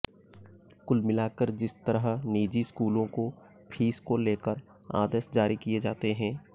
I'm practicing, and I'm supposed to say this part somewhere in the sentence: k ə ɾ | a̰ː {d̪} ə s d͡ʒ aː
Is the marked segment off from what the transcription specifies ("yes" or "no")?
no